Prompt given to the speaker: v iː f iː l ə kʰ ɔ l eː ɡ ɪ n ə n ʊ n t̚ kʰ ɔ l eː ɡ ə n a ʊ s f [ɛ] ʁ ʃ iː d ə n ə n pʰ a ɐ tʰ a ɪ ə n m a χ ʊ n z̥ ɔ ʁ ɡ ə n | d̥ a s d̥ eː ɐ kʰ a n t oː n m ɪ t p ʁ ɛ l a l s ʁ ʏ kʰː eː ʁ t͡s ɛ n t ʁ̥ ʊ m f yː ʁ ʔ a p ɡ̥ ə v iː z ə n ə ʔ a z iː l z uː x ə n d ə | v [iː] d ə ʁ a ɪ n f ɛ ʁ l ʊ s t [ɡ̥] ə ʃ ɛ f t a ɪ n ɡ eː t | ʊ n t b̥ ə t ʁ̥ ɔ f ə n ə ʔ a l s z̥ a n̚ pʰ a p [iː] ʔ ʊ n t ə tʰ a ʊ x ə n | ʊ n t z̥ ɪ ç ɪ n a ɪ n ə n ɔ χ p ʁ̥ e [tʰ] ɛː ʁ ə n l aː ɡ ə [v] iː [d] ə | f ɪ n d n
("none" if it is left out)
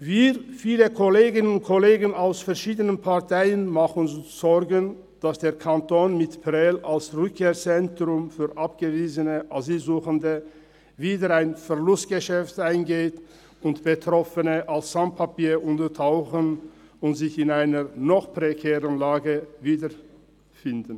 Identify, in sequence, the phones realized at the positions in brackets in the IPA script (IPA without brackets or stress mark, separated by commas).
ɛ, iː, ɡ̥, iː, kʰ, v, d